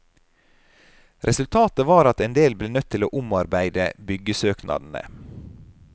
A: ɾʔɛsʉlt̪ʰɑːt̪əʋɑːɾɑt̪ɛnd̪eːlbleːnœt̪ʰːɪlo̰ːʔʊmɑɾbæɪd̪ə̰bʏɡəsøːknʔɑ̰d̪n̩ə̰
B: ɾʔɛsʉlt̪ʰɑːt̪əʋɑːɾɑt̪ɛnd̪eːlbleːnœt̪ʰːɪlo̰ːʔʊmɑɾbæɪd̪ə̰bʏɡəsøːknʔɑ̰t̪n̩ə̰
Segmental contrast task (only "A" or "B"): A